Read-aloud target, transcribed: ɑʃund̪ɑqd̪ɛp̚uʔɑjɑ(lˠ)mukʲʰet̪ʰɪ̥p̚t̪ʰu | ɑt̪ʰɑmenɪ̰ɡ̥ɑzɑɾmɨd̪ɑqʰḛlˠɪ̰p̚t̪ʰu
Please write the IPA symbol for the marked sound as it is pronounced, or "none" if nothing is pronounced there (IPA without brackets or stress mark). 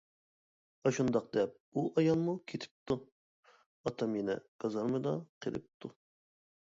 lˠ